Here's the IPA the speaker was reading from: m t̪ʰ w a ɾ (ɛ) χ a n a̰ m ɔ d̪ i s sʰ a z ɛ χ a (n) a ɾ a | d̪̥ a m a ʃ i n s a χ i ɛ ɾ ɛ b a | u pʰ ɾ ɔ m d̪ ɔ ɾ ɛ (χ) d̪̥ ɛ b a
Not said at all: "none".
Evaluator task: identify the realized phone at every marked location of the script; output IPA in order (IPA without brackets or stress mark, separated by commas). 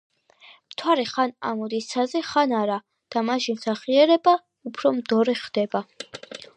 ɛ, n, χ